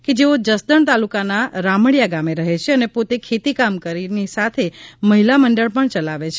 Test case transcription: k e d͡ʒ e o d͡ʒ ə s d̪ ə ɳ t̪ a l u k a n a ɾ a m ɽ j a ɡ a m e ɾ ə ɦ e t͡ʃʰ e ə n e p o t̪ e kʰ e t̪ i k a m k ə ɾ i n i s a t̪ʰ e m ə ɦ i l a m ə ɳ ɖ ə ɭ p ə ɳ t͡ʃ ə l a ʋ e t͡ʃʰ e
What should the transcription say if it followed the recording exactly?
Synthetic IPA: k e d͡ʒ e o d͡ʒ ə s d̪ ə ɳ t̪ a l u k a n a ɾ a m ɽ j a ɡ a m e ɾ ə ɦ e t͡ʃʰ e ə n e p o t̪ e kʰ e t̪ i k a m k ə ɾ i n i s a t̪ʰ e m ə ɦ i l a m ə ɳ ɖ ə ɭ p ə ɳ t͡ʃ ə l a ʋ e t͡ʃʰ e